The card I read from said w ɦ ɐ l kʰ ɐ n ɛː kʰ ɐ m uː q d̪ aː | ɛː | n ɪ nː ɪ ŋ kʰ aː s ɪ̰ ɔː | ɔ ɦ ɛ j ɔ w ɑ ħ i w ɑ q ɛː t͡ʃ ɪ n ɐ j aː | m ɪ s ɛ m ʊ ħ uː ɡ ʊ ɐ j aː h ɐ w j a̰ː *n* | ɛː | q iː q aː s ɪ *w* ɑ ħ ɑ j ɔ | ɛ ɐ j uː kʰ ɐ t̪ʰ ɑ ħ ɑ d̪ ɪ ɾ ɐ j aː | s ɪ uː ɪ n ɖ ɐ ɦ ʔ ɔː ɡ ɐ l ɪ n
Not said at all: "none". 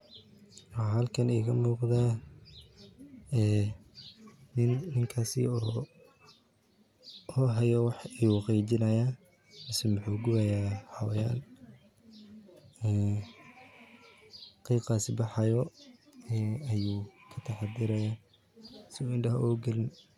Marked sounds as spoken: n, b

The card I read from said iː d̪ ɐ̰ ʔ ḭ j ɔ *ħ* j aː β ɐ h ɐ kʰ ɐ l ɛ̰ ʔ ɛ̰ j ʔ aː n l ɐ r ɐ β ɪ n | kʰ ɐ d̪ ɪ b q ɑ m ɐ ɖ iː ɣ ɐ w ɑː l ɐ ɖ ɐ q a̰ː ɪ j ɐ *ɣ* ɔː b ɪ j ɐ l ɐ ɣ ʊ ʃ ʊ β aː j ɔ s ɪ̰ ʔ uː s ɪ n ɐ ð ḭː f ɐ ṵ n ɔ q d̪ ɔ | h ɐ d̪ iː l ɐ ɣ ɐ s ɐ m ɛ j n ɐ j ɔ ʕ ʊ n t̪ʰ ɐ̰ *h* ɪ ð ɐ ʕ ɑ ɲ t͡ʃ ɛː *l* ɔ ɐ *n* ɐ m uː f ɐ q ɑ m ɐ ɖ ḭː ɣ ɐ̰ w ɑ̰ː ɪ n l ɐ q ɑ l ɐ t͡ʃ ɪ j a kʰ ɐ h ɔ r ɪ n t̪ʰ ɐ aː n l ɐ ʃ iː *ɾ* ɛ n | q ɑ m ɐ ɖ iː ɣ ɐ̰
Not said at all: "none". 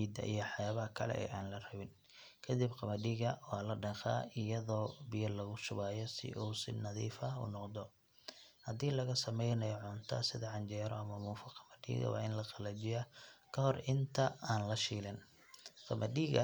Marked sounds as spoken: ħ, ð, s, ɾ, m, l

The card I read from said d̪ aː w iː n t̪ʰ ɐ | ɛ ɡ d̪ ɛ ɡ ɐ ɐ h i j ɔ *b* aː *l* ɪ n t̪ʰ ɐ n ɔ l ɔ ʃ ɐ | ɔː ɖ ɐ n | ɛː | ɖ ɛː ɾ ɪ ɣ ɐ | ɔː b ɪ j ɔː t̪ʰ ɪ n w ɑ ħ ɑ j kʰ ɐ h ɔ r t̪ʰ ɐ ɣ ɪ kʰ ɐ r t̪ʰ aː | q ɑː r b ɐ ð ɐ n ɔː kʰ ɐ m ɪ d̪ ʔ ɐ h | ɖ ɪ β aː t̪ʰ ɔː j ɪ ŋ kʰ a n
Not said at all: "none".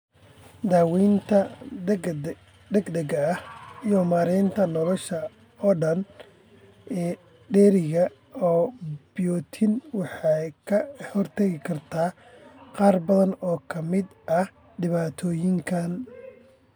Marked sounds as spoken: m, ɾ

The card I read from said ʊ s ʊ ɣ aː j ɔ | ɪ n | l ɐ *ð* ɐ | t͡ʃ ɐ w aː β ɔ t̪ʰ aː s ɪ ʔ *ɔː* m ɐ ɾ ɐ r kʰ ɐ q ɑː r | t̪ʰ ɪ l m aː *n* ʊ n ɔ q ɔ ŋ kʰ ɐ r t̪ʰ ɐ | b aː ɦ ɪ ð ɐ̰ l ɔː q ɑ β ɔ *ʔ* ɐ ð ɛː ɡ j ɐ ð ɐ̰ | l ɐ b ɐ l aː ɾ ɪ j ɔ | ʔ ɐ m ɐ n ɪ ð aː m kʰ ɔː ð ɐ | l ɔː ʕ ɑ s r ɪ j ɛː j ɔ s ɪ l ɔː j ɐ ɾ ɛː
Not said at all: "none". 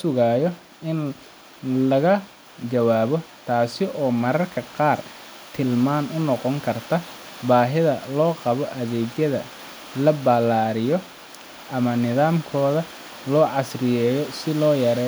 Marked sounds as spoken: ɣ, ɔː, n, ʔ

